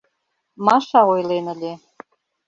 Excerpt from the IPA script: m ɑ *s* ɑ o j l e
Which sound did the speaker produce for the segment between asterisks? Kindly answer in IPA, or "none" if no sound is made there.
ʃ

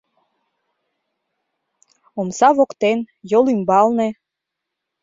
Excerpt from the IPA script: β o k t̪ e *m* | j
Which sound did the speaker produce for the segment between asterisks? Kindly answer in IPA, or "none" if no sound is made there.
n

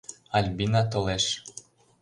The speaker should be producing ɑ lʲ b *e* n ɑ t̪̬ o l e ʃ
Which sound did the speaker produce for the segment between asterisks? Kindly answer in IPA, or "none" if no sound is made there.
i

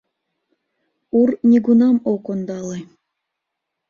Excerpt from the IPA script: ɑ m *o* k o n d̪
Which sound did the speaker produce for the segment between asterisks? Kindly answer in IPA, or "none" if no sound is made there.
o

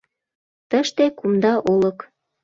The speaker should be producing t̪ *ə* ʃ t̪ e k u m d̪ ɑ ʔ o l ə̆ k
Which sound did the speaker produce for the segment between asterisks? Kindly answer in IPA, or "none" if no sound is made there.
ə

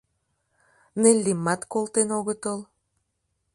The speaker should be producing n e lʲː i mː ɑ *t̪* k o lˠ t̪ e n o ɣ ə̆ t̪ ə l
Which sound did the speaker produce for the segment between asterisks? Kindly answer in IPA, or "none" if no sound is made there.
t̪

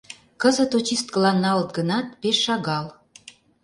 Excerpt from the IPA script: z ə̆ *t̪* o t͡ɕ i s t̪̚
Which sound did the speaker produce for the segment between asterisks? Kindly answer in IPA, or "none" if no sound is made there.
t̪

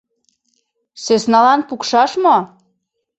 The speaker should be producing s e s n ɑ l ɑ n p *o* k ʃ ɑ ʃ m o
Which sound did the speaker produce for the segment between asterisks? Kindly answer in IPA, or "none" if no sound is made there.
u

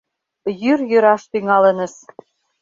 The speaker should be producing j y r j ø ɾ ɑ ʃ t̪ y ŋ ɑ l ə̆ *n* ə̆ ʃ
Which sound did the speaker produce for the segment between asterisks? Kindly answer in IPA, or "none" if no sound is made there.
n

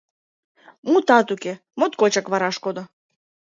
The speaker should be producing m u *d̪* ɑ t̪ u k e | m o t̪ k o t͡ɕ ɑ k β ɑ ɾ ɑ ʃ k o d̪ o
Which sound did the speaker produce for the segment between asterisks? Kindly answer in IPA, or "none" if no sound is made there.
t̪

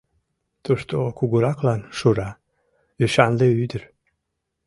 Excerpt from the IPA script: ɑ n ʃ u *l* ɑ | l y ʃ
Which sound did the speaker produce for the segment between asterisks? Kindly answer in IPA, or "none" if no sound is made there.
ɾ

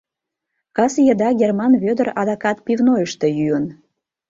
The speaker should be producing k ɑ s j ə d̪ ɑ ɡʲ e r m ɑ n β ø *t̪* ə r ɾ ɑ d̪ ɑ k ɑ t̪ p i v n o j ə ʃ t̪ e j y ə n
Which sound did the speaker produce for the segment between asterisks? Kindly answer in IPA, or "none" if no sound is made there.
d̪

